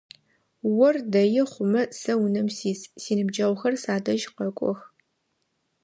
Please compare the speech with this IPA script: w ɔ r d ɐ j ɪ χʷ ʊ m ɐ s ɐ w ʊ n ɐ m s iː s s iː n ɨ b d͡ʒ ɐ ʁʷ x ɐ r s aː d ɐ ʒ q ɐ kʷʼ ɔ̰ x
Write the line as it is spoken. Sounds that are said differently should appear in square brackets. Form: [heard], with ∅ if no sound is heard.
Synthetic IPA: w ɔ r d ɐ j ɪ χʷ ʊ m ɐ s ɐ w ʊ n ɐ m s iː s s iː n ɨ b d͡ʒ ɐ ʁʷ x ɐ r s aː d ɐ ʒ q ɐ kʷʼ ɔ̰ x